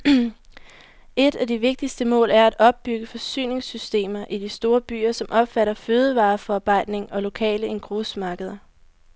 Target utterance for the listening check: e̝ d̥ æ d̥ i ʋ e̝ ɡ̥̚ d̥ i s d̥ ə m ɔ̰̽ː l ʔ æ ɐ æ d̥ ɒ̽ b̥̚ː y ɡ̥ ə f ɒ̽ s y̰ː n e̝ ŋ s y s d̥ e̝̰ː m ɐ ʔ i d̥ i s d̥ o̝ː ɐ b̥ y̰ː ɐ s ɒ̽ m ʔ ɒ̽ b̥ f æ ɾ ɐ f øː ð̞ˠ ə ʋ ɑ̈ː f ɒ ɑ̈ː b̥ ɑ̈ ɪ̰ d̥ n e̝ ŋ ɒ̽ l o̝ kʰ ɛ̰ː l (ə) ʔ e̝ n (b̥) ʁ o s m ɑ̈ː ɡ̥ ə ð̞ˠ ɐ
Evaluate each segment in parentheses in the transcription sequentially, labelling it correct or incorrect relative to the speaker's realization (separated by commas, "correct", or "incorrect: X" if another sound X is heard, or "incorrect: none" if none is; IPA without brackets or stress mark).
correct, incorrect: ɡ̥